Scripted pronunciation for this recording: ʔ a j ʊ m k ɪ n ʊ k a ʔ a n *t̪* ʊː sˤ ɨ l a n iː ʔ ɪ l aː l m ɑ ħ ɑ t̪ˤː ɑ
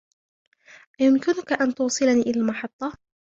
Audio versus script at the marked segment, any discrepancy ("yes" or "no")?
no